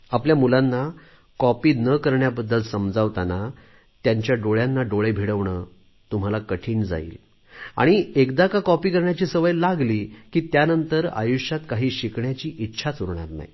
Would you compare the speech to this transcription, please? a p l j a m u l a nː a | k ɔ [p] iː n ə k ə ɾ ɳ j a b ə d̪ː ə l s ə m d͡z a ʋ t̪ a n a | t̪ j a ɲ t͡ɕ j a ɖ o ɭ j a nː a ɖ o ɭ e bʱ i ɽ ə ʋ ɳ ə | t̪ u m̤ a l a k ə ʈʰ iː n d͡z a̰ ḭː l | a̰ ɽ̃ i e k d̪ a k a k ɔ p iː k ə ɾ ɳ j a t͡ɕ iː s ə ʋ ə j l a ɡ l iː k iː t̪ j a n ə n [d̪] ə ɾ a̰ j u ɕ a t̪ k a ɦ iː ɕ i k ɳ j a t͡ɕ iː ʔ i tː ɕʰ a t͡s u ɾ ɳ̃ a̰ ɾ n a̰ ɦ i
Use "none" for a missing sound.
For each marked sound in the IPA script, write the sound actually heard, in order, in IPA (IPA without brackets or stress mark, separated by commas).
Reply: p, t̪